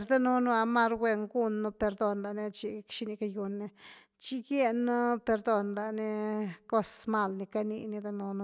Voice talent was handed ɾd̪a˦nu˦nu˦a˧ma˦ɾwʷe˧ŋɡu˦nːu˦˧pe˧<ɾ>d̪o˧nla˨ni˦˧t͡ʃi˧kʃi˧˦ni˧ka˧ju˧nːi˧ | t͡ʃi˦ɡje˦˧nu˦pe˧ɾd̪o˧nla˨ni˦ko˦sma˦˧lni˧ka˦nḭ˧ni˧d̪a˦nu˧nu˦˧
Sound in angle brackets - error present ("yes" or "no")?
no